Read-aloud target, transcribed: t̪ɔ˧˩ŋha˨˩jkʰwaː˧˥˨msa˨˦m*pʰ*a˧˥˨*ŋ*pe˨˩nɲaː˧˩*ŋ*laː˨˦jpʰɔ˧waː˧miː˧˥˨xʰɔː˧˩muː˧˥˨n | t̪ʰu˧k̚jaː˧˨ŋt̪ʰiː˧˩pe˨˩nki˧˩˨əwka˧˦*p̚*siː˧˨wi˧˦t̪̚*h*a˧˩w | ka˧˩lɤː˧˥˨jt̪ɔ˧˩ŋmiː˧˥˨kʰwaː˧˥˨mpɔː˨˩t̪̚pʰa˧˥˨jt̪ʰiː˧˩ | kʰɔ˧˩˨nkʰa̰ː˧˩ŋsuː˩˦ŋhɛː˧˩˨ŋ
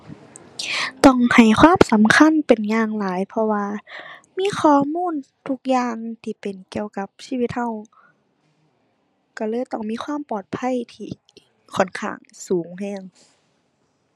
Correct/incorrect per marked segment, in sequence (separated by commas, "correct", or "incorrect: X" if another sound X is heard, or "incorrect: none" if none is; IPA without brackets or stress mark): incorrect: kʰ, incorrect: n, correct, correct, correct